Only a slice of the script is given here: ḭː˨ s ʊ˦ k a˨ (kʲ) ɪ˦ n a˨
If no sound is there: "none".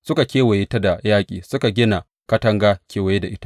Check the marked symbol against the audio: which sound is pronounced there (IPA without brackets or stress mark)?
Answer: ɡʲ